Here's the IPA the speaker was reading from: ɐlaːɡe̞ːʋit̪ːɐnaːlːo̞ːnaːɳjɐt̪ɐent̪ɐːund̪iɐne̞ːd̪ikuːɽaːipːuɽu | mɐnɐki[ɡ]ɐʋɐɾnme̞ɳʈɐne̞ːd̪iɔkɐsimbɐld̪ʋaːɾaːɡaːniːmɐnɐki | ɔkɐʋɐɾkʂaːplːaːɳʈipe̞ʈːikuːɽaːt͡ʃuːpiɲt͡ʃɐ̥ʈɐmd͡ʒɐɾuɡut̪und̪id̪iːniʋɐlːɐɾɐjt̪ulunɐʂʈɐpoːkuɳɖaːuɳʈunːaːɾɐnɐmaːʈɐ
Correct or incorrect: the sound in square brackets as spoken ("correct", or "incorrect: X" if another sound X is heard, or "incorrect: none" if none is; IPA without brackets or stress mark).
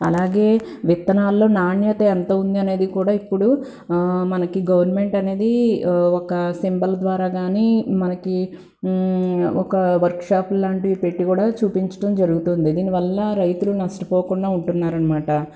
correct